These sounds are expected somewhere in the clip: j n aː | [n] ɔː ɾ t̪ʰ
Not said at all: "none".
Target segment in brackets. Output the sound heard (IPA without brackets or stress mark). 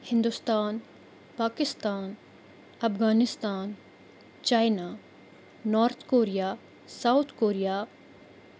n